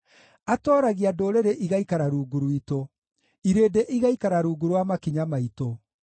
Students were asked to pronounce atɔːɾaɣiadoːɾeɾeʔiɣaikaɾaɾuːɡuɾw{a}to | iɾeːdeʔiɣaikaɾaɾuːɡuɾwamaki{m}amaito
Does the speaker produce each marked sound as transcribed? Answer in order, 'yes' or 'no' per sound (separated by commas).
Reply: no, no